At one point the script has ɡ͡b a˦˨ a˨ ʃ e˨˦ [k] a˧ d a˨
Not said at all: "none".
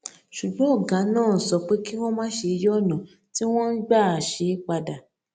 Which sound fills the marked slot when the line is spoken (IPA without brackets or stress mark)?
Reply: k͡p